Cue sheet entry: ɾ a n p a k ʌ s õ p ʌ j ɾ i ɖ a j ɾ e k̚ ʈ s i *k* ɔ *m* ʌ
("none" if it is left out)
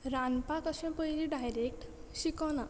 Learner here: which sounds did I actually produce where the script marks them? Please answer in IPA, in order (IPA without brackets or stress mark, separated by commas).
k, n